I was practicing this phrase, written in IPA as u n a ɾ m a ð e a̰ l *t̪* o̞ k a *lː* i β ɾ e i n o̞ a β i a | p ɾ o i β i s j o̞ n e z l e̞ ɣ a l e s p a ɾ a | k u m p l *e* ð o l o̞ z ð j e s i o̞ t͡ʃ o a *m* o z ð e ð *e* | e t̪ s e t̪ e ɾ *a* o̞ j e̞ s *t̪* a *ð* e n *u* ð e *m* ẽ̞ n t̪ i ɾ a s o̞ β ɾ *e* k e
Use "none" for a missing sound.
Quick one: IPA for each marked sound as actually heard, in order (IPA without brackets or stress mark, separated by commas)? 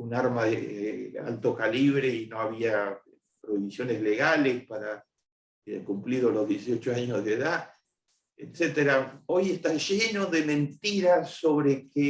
t̪, l, i, ɲ, a, a, t̪, ʒ, o, m, e